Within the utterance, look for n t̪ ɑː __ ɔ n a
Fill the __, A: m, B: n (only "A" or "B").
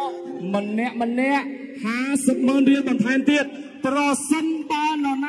B